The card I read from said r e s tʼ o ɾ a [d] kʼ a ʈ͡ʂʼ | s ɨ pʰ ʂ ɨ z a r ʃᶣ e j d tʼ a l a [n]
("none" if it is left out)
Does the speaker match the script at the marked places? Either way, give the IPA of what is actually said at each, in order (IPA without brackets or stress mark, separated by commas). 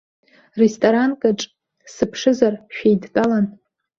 n, n